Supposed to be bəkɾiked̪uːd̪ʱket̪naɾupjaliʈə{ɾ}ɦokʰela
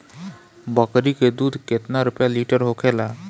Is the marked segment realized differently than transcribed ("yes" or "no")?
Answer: no